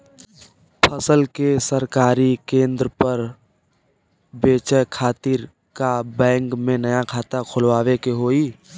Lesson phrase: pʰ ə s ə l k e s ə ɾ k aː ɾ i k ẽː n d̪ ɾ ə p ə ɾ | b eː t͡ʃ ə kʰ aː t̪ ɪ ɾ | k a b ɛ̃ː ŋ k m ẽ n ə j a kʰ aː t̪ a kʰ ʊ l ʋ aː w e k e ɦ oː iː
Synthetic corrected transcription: pʰ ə s ə l k e s ə ɾ k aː ɾ i k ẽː n d̪ ɾ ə p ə ɾ | b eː t͡ʃ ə kʰ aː t̪ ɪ ɾ | k a b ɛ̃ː ŋ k m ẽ n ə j a kʰ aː t̪ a kʰ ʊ l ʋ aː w e k e ɦ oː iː